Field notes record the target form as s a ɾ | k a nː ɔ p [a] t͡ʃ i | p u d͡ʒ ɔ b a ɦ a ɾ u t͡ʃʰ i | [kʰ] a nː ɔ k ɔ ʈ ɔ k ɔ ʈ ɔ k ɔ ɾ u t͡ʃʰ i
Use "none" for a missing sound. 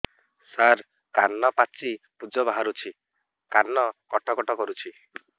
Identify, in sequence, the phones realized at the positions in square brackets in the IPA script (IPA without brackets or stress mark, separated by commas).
a, k